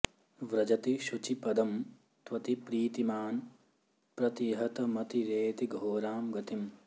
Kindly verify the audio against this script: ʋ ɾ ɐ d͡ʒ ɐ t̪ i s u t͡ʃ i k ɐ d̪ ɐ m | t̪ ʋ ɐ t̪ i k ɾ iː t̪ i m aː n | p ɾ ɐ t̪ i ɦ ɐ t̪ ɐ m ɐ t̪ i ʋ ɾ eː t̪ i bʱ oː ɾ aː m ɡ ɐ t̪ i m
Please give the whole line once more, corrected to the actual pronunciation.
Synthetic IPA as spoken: ʋ ɾ ɐ d͡ʒ ɐ t̪ i ʃ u t͡ʃ i p ɐ d̪ ɐ m | t̪ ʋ ɐ t̪ i p ɾ iː t̪ i m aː n | p ɾ ɐ t̪ i ɦ ɐ t̪ ɐ m ɐ t̪ i ɾ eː t̪ i ɡʱ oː ɾ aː m ɡ ɐ t̪ i m